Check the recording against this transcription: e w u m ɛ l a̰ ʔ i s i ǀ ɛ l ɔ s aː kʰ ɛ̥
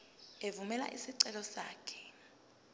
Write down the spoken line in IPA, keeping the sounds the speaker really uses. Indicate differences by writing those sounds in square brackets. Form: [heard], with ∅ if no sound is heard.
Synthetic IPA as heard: e [v] u m ɛ l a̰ ʔ i s i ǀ ɛ l ɔ s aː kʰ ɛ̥